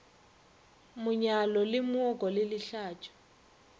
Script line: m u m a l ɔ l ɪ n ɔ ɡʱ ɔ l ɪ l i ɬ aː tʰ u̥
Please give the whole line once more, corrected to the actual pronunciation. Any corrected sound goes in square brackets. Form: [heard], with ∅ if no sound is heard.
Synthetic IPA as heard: m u [ɲ] a l ɔ l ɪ [m] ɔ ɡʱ ɔ l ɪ l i ɬ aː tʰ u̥